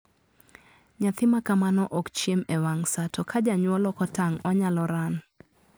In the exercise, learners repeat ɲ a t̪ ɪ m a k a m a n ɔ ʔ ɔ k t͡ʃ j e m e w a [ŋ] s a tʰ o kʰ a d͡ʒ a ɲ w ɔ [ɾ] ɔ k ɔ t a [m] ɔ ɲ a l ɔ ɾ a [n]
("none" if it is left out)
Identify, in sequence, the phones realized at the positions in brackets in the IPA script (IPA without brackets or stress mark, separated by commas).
ŋ, l, ŋ, n